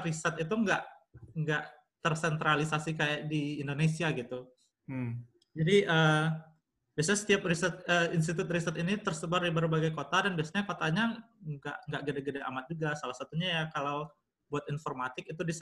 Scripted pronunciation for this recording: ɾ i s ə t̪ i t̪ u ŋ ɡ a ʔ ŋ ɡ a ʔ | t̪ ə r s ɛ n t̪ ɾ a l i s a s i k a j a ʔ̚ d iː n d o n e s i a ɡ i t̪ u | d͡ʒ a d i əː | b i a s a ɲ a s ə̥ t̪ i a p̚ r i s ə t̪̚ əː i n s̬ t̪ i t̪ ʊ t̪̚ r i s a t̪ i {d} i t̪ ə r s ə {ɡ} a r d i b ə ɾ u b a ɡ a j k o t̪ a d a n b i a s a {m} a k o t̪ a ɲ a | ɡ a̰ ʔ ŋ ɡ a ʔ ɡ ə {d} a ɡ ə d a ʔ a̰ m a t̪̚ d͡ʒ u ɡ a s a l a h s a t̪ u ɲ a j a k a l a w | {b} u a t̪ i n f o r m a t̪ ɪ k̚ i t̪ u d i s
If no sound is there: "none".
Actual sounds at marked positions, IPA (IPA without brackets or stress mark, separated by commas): n, b, ɲ, d, b